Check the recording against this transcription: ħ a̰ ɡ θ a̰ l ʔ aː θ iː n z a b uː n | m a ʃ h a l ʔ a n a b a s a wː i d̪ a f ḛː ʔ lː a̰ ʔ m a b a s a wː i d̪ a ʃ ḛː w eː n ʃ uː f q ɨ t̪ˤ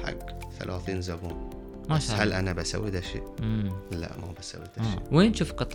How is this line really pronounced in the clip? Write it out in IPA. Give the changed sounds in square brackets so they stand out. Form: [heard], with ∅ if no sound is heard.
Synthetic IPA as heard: ħ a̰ ɡ θ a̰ l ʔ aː θ iː n z a b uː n | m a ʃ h a l ʔ a n a b a s a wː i d̪ a [ʃ] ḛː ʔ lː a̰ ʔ m a b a s a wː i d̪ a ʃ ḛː w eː n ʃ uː f q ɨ t̪ˤ